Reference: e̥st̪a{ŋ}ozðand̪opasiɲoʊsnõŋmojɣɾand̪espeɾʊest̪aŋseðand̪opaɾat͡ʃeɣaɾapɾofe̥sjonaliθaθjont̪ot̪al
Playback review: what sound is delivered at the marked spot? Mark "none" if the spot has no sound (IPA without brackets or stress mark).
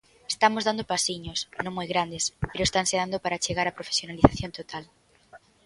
m